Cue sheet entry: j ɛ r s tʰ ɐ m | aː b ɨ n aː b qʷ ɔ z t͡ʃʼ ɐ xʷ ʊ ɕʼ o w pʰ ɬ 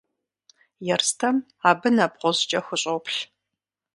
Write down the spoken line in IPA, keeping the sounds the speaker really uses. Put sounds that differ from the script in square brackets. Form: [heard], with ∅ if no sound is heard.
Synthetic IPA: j ɛ r s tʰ ɐ m | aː b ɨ n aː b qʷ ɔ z t͡ʃʼ ɐ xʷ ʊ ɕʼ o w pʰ ɬ